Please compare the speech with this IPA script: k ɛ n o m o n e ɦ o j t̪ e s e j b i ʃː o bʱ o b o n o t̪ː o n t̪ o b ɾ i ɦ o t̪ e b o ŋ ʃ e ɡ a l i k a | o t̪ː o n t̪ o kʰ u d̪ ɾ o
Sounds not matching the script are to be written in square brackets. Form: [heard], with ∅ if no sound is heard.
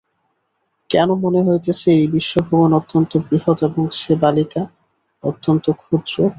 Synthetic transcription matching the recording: k ɛ n o m o n e ɦ o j t̪ e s e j b i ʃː o bʱ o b o n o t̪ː o n t̪ o b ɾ i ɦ o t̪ e b o ŋ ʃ e [b] a l i k a | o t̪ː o n t̪ o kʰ u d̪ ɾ o